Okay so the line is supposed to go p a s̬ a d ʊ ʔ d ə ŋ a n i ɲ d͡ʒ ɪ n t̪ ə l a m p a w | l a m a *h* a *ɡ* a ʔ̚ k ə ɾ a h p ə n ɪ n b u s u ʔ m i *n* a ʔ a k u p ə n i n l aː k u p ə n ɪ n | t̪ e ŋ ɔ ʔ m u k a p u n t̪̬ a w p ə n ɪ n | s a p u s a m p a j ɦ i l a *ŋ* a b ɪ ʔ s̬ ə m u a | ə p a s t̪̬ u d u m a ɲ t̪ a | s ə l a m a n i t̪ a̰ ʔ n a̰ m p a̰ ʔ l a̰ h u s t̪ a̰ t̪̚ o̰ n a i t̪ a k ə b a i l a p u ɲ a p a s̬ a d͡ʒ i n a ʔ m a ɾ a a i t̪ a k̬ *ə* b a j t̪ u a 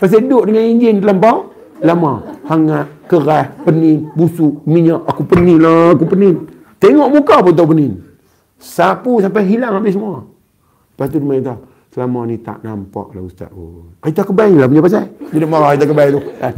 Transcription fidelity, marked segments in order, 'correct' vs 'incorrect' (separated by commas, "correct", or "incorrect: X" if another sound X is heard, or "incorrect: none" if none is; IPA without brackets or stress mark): correct, incorrect: ŋ, incorrect: ɲ, correct, correct